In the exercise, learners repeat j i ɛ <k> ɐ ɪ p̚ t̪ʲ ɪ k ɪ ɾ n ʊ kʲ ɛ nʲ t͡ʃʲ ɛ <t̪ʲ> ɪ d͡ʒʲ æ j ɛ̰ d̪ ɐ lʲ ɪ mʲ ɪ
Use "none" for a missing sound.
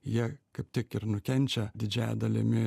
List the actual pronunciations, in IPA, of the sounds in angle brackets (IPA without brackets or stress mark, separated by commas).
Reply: k, d̪ʲ